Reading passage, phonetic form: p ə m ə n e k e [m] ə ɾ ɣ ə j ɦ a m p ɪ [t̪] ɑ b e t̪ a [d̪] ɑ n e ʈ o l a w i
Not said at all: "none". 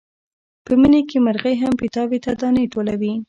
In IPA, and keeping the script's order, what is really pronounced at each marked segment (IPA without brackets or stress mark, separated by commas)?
m, t̪, d̪